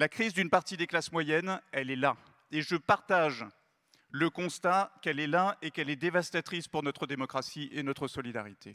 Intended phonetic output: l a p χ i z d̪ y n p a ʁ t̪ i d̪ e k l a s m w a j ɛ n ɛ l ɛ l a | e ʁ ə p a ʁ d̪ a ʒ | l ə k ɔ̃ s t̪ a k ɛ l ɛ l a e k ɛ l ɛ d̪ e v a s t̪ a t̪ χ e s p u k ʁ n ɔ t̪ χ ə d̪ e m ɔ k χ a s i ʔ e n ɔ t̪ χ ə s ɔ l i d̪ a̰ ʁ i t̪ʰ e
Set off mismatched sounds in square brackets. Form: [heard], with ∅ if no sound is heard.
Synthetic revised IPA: l a [k] χ i z d̪ y n p a ʁ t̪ i d̪ e k l a s m w a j ɛ n ɛ l ɛ l a | e [ʒ] ə p a ʁ [t̪] a ʒ | l ə k ɔ̃ s t̪ a k ɛ l ɛ l a e k ɛ l ɛ d̪ e v a s t̪ a t̪ χ [i] s p u [∅] ʁ n ɔ t̪ χ ə d̪ e m ɔ k χ a s i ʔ e n ɔ t̪ χ ə s ɔ l i d̪ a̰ ʁ i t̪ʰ e